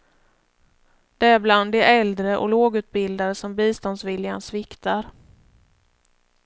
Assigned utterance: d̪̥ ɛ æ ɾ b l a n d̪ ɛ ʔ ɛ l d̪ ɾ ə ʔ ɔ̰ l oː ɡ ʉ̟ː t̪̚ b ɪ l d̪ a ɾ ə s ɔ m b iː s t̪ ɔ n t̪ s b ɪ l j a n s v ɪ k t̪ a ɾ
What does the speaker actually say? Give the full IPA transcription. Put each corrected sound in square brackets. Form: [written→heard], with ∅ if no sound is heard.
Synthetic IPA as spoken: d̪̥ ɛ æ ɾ b l a n d̪ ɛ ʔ ɛ l d̪ ɾ ə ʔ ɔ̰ l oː ɡ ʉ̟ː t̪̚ b ɪ l d̪ a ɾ ə s ɔ m b iː s t̪ ɔ n [t̪→d̪] s [b→v] ɪ l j a n s v ɪ k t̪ a ɾ